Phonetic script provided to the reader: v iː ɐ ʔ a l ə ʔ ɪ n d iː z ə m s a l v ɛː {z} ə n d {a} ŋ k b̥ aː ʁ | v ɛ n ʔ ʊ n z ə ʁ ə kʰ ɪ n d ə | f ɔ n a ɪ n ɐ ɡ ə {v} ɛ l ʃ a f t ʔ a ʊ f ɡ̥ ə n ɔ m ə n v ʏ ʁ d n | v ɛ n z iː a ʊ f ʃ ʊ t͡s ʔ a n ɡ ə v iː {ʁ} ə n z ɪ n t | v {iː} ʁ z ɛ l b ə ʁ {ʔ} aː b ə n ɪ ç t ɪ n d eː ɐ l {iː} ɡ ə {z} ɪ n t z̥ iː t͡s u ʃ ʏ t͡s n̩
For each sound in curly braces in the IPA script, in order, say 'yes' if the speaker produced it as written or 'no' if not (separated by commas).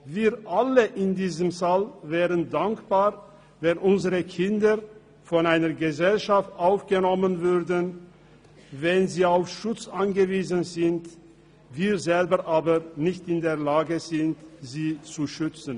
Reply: no, yes, no, no, yes, yes, no, yes